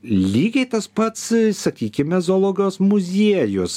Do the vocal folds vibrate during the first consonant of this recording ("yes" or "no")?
yes